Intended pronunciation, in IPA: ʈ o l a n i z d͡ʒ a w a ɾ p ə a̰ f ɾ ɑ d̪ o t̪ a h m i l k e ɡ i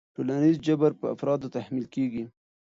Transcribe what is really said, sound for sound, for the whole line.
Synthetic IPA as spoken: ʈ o l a n i z d͡ʒ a b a ɾ p ə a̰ f ɾ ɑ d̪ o t̪ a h m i l k e ɡ i